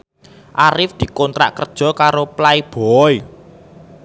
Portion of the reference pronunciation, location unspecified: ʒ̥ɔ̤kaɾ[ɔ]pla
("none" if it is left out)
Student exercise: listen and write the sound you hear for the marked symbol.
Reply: o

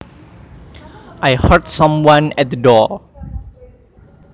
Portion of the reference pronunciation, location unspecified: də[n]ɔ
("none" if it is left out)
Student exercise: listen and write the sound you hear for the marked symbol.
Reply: d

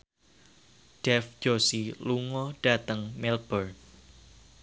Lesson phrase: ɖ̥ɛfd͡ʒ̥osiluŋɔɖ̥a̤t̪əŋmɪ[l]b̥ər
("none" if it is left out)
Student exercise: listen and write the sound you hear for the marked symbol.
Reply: l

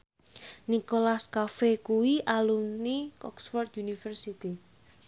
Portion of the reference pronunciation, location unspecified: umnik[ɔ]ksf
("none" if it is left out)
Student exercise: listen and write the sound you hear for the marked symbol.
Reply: ɔ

